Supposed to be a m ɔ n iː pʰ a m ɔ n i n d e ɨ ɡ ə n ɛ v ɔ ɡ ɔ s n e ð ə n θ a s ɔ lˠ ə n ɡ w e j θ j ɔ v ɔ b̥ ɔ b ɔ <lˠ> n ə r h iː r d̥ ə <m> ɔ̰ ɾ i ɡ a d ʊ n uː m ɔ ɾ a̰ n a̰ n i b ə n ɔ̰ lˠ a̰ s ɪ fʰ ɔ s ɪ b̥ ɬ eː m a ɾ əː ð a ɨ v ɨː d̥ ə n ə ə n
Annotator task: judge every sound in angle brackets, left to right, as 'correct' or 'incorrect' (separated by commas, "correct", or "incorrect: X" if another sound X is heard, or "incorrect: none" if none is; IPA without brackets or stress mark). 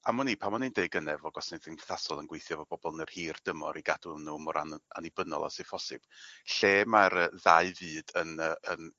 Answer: correct, correct